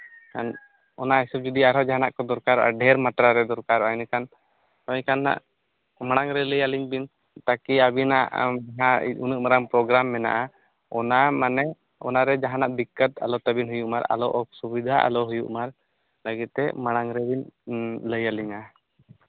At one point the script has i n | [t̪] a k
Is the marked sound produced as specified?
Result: yes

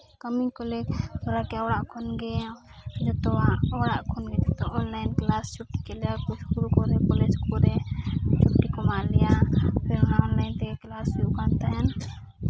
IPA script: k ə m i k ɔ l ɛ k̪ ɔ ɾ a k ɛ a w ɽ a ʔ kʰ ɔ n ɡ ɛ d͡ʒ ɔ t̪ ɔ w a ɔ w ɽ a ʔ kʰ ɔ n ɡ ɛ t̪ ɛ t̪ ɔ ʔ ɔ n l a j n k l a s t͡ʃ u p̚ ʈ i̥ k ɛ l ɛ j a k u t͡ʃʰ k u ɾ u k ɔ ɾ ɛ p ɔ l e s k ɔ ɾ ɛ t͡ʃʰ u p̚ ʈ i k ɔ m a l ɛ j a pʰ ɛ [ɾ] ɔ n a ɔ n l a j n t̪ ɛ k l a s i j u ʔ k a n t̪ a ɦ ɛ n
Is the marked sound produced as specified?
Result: yes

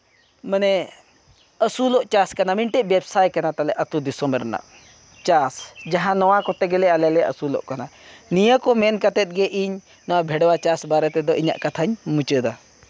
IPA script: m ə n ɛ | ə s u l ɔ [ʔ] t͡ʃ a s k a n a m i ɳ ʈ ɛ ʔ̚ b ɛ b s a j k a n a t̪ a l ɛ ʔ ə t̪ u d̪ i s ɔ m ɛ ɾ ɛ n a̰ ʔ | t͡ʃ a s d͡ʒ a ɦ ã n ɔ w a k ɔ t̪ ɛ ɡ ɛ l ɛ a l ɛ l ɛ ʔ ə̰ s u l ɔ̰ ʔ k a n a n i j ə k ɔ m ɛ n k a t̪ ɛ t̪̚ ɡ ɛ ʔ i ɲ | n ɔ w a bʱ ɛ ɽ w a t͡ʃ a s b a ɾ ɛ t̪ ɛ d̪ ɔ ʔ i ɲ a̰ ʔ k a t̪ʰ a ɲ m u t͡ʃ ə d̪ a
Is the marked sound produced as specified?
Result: yes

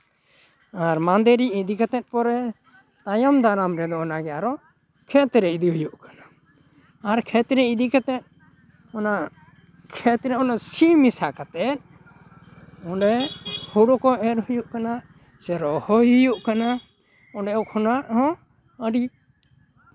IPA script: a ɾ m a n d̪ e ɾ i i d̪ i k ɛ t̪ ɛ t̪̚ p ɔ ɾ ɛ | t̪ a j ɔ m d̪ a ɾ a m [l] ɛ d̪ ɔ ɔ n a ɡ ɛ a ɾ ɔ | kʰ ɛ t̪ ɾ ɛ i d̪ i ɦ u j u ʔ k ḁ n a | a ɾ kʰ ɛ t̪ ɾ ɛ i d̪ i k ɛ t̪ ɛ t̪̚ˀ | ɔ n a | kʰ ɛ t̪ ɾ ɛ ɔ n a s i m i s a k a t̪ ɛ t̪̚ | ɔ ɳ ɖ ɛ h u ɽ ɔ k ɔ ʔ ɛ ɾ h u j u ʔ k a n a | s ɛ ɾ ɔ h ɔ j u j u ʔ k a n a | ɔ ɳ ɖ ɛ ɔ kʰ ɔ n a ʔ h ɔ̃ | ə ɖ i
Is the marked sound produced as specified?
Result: no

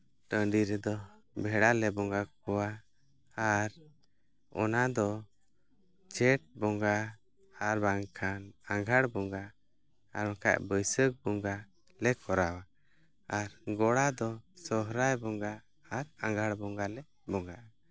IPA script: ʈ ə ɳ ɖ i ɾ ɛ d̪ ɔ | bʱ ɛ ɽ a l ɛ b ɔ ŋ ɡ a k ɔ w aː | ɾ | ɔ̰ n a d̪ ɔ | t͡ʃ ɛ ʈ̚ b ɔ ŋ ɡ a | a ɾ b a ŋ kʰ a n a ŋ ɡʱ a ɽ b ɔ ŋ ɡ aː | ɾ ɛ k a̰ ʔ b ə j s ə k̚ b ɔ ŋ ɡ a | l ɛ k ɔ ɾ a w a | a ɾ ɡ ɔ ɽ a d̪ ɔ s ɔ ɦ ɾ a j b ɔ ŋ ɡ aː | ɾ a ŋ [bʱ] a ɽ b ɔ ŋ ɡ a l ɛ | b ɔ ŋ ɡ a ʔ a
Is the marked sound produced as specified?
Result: no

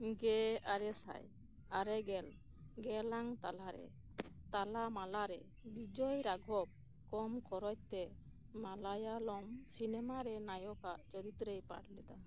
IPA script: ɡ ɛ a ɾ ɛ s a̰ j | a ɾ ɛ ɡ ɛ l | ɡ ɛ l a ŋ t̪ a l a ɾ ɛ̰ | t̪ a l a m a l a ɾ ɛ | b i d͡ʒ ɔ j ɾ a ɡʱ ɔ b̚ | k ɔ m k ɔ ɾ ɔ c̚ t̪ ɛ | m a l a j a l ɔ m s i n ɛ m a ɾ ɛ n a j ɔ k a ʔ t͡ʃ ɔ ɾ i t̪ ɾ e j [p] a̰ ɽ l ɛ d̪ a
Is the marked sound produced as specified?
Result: yes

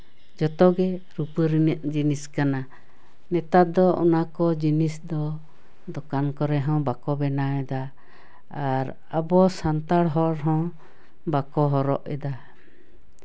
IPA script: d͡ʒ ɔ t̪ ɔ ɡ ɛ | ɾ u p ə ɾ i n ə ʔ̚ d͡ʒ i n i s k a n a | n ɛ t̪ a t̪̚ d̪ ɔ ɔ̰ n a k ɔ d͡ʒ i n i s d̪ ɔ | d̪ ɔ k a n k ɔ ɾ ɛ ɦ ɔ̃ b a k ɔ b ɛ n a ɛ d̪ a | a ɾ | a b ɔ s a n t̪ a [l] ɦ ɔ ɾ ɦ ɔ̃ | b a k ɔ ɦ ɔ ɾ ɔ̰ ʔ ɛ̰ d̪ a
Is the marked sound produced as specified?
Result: no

